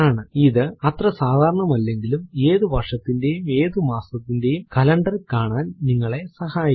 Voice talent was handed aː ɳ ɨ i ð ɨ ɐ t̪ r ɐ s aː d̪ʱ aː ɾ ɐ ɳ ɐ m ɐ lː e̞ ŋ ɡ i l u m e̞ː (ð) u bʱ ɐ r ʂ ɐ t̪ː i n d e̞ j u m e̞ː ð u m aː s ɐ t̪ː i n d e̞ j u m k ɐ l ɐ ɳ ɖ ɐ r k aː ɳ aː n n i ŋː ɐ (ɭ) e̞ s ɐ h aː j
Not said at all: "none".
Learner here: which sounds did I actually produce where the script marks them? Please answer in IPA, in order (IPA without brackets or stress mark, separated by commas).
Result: ð, ɭ